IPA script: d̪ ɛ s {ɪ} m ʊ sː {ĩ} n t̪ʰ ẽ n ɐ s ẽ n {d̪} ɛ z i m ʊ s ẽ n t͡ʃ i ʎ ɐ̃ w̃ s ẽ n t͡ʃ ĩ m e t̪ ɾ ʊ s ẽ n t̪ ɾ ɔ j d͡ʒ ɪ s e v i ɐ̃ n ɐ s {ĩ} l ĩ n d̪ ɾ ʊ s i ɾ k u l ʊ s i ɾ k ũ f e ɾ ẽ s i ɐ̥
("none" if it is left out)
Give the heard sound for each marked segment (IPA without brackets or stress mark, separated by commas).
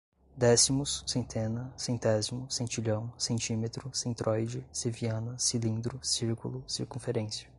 i, ẽ, t̪, i